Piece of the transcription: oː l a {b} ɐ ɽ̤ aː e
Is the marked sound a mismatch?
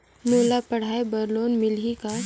yes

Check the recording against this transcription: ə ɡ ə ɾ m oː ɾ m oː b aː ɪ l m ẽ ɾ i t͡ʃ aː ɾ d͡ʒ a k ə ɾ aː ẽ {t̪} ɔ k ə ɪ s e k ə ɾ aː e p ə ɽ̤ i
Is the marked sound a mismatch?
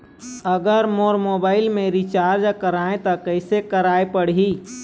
no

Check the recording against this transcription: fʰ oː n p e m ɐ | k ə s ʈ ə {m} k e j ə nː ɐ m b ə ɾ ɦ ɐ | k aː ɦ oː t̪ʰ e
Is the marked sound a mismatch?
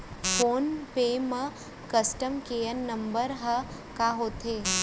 no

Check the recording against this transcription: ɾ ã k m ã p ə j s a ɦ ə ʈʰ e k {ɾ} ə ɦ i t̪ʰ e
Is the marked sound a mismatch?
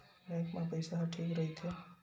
no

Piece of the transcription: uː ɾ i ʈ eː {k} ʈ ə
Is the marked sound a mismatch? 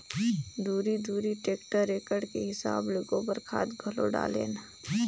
no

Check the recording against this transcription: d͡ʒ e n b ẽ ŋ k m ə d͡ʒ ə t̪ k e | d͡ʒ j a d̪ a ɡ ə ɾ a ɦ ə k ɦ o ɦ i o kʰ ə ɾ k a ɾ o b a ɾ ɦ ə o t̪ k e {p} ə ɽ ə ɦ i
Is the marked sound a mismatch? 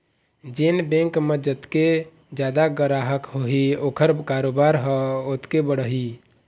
yes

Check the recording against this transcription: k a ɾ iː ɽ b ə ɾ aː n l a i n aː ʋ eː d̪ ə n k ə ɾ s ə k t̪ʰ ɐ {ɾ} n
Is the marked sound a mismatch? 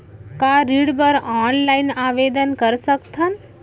yes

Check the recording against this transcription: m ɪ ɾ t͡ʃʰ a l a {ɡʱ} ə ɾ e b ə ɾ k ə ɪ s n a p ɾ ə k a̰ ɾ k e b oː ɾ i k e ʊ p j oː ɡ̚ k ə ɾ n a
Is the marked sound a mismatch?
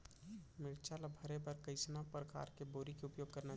yes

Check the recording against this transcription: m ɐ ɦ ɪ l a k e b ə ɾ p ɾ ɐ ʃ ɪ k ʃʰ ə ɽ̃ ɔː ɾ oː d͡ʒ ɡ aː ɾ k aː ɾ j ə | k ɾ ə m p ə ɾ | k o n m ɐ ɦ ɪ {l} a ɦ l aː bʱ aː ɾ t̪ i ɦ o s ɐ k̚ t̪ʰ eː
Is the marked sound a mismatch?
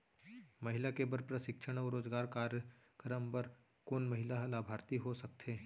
no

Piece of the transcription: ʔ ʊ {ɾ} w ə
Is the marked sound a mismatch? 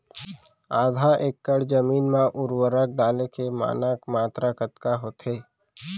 no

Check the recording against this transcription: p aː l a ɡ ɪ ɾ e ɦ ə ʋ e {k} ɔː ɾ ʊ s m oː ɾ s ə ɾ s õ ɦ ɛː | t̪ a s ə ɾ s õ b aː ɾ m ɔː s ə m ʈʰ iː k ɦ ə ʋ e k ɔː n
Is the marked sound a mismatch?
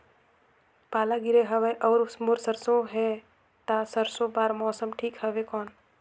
yes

